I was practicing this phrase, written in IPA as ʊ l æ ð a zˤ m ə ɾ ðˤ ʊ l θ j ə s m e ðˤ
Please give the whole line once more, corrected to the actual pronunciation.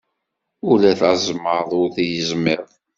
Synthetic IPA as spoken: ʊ l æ θ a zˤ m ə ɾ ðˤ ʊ ɾ θ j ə z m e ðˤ

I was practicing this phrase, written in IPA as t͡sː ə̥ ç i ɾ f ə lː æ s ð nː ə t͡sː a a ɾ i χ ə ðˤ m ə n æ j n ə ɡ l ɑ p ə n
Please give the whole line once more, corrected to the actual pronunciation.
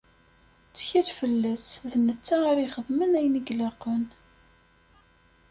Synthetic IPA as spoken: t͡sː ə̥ ç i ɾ f ə lː æ s ð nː ə t͡sː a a ɾ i χ ə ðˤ m ə n æ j n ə ɡ l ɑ q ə n

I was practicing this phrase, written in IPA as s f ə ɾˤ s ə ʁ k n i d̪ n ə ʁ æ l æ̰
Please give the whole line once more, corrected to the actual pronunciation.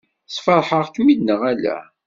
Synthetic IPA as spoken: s f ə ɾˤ ħ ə ʁ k m i d̪ n ə ʁ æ l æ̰

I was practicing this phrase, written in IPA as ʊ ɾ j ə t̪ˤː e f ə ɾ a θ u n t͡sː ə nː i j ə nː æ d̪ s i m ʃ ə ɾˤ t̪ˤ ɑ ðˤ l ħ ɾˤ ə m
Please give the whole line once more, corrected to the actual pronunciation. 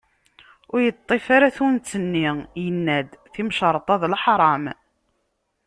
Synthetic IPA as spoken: ʊ ɾ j ə t̪ˤː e f a ɾ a θ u n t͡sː ə nː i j ə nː æ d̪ θ i m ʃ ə ɾˤ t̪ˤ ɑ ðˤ l ħ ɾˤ ɑ m

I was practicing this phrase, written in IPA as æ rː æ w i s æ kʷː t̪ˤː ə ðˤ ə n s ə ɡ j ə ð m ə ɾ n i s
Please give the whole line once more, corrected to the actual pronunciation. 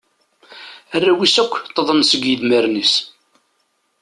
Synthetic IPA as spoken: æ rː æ w i s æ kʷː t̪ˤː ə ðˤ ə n s ə ɡ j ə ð m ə ɾ n i s

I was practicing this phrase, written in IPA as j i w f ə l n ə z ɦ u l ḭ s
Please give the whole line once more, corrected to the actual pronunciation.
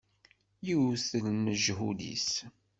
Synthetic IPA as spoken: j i w θ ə l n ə ʒ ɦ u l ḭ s

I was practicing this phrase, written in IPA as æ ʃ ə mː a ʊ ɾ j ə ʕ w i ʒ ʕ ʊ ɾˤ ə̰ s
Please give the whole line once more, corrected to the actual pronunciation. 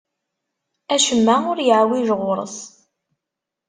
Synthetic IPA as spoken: æ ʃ ə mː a ʊ ɾ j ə ʕ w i ʒ ʁ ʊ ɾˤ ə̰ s

